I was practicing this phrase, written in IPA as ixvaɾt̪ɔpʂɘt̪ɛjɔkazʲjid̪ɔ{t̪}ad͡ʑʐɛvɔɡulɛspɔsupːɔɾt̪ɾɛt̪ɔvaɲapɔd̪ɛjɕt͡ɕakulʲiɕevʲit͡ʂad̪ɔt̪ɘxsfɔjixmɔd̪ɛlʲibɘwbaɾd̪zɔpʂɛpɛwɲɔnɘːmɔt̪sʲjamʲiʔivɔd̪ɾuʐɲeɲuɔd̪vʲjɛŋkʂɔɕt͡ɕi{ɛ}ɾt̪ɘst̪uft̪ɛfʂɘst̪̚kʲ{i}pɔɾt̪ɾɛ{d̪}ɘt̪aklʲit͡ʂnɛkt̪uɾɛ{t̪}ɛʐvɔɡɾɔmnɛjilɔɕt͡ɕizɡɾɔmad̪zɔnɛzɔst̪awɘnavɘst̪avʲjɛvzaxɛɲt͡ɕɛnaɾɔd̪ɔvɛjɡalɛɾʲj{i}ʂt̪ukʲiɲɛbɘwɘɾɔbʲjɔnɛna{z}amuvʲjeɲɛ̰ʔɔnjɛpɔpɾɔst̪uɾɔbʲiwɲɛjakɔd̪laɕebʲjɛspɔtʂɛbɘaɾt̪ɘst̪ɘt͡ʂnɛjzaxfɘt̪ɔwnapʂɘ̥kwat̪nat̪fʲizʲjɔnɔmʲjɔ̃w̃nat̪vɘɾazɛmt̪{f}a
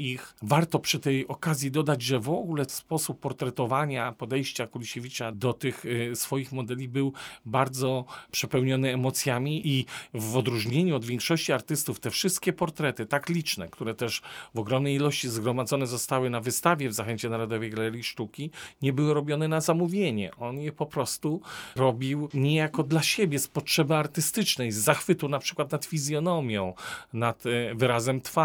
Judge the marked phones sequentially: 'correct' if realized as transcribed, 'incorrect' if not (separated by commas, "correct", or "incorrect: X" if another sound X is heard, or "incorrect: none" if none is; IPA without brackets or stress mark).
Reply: incorrect: d̪, incorrect: a, incorrect: ɛ, incorrect: t̪, correct, correct, correct, correct